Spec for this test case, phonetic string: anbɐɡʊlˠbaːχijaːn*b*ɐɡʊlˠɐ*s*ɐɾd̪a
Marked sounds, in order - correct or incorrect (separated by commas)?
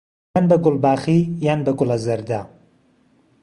correct, incorrect